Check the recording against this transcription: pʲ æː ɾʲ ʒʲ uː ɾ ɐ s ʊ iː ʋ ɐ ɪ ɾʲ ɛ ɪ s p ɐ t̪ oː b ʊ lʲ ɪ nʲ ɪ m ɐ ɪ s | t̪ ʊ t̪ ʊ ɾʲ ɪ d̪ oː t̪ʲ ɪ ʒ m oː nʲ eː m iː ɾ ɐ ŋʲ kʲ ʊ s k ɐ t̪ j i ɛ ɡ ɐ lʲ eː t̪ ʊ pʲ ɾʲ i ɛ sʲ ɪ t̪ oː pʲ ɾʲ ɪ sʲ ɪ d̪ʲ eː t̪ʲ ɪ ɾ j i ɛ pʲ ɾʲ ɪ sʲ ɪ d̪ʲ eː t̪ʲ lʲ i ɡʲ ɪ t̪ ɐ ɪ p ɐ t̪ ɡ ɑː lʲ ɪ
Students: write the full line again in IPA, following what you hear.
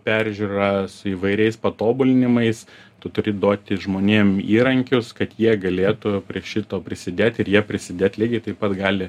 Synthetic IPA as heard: pʲ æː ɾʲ ʒʲ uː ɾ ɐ s ʊ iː ʋ ɐ ɪ ɾʲ ɛ ɪ s p ɐ t̪ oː b ʊ lʲ ɪ nʲ ɪ m ɐ ɪ s | t̪ ʊ t̪ ʊ ɾʲ ɪ d̪ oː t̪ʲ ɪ ʒ m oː nʲ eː m iː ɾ ɐ ŋʲ kʲ ʊ s k ɐ t̪ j i ɛ ɡ ɐ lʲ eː t̪ ʊ pʲ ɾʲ i ɛ ʃʲ ɪ t̪ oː pʲ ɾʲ ɪ sʲ ɪ d̪ʲ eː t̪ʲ ɪ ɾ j i ɛ pʲ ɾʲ ɪ sʲ ɪ d̪ʲ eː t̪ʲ lʲ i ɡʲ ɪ t̪ ɐ ɪ p ɐ t̪ ɡ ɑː lʲ ɪ